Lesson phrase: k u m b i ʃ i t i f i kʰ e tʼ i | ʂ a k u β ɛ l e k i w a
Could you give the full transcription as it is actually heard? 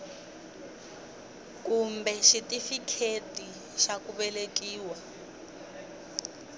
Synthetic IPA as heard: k u m b ɛ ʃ i t i f i kʰ e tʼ i | ʃ a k u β ɛ l e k iː w a